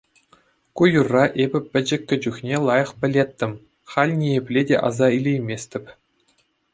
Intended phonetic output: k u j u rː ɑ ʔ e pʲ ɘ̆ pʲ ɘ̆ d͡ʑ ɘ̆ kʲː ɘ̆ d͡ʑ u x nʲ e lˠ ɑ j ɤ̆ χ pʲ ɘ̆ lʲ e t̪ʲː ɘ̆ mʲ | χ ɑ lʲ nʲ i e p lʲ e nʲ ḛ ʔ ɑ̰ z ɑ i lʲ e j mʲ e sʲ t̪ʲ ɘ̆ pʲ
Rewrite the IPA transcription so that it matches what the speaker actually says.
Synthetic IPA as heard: k u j u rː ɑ ʔ e bʲ ɘ̆ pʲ ɘ̆ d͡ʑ ɘ̆ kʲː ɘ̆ d͡ʑ u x nʲ e lˠ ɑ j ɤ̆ χ pʲ ɘ̆ lʲ e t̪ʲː ɘ̆ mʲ | χ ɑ lʲ nʲ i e p lʲ e dʲ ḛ ʔ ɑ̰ z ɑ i lʲ e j mʲ e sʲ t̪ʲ ɘ̆ pʲ

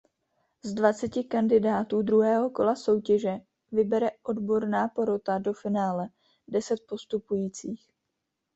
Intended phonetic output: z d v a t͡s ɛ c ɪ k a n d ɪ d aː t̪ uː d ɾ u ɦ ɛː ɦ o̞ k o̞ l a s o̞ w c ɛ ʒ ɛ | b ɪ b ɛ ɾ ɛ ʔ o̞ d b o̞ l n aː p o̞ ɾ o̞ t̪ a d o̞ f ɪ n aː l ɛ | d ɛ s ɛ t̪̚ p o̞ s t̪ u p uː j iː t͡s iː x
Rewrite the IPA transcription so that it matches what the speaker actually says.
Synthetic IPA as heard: z d v a t͡s ɛ c ɪ k a n d ɪ d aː t̪ uː d ɾ u ɦ ɛː ɦ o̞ k o̞ l a s o̞ w c ɛ ʒ ɛ | v ɪ b ɛ ɾ ɛ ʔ o̞ d b o̞ ɾ n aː p o̞ ɾ o̞ t̪ a d o̞ f ɪ n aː l ɛ | d ɛ s ɛ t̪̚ p o̞ s t̪ u p u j iː t͡s iː x

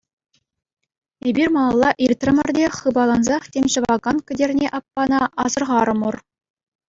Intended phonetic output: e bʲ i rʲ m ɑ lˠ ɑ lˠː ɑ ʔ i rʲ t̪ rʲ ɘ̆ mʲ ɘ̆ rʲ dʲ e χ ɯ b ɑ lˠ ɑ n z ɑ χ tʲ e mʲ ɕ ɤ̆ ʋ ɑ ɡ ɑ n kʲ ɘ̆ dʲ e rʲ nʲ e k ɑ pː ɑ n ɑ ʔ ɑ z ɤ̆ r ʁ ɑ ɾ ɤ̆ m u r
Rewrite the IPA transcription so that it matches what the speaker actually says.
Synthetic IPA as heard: e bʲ i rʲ m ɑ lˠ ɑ lˠː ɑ ʔ i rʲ t̪ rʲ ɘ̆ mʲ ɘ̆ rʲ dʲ e χ ɯ b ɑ lˠ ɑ n z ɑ χ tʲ e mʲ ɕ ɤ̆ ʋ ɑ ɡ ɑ n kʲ ɘ̆ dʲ e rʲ nʲ e ʔ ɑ pː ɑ n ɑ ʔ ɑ z ɤ̆ r ʁ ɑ ɾ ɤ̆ m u r

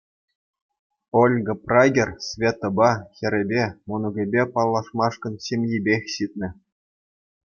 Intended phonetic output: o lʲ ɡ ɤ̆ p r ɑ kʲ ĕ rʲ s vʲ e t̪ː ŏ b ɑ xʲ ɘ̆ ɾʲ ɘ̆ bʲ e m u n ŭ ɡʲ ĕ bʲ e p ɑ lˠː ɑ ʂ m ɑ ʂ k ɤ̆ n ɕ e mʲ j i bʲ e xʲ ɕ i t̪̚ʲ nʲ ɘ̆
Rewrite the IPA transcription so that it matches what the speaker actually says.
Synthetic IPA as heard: o lʲ ɡ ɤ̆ p r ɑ ɡʲ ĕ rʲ s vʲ e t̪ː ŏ b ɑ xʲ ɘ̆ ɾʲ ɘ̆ bʲ e m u n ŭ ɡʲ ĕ bʲ e p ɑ lˠː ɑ ʂ m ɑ ʂ k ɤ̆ n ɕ e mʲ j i bʲ e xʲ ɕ i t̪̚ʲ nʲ ɘ̆

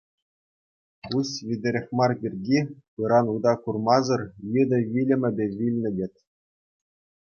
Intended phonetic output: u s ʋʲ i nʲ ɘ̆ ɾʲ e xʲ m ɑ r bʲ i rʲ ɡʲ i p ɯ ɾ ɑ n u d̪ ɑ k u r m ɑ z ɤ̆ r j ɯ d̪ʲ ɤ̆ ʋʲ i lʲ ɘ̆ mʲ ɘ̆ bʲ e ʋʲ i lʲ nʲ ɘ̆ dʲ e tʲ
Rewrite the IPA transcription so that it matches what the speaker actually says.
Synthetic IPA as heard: u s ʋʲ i dʲ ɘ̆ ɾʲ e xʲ m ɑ r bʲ i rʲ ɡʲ i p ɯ ɾ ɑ n u d̪ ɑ k u r m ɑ z ɤ̆ r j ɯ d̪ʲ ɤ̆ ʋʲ i lʲ ɘ̆ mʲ ɘ̆ bʲ e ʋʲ i lʲ nʲ ɘ̆ dʲ e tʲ

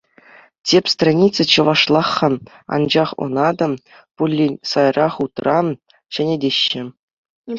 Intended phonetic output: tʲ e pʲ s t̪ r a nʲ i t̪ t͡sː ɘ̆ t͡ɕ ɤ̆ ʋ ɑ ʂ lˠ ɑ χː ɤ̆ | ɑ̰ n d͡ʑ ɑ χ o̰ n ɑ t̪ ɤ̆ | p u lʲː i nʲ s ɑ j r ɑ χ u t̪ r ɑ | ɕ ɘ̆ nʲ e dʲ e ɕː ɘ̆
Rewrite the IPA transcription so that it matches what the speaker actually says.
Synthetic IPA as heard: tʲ e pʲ s t̪ r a nʲ i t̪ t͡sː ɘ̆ t͡ɕ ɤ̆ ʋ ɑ ʂ lˠ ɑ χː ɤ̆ | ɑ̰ n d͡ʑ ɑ χ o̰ n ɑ d̪ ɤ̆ | p u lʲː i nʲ s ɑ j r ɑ χ u t̪ r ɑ | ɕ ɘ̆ nʲ e dʲ e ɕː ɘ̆

